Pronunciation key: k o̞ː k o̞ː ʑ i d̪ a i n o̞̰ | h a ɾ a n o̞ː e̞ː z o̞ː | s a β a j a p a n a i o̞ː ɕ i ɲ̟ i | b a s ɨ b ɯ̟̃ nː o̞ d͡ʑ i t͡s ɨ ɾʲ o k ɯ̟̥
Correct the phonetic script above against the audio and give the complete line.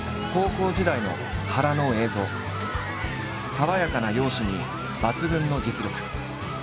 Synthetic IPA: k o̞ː k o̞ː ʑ i d̪ a i n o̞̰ | h a ɾ a n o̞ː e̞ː z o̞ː | s a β a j a k a n a j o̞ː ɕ i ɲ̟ i | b a t͡s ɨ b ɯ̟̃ nː o̞ d͡ʑ i t͡s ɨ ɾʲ o k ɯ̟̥